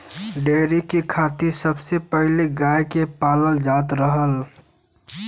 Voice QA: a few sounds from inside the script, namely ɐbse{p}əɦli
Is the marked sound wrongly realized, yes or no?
no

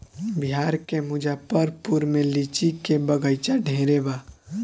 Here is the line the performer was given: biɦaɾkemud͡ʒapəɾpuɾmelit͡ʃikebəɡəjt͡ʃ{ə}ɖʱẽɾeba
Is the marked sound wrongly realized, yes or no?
yes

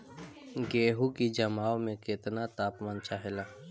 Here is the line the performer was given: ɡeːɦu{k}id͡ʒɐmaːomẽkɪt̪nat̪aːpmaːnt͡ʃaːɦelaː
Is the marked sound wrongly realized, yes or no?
no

